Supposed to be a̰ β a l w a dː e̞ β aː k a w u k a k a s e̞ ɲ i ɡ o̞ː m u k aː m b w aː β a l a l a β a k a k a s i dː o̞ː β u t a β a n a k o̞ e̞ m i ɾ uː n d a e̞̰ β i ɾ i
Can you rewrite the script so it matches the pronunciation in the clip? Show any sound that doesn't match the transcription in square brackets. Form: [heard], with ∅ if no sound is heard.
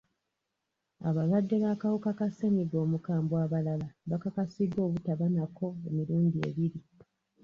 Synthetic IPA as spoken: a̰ β a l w a dː e̞ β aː k a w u k a k a s e̞ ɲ i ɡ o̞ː m u k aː m b w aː β a l a l a β a k a k a s i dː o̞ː β u t a β a n a k o̞ e̞ m i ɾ uː n d [i] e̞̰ β i ɾ i